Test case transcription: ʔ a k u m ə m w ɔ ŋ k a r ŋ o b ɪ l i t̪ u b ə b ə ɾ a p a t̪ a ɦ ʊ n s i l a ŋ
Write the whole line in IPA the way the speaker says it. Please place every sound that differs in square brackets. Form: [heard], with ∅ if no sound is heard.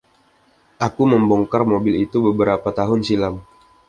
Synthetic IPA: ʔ a k u m ə m [b] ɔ ŋ k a r [m] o b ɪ l i t̪ u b ə b ə ɾ a p a t̪ a ɦ ʊ n s i l a [m]